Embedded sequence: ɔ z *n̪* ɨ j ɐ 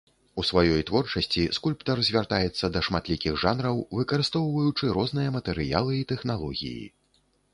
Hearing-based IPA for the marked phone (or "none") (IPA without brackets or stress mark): n̪